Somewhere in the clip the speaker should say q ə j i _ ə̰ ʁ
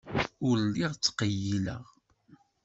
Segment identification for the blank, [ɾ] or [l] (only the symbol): l